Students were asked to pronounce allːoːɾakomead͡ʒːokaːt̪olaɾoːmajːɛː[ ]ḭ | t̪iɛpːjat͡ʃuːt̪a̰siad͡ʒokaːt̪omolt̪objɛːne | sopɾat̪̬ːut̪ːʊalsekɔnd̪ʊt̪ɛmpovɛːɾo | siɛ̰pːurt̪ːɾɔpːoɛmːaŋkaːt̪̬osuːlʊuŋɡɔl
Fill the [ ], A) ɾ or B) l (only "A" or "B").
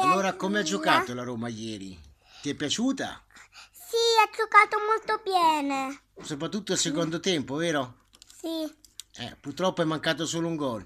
A